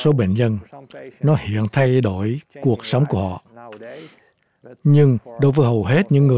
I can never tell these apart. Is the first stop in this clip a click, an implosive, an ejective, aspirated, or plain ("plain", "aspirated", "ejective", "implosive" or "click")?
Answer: implosive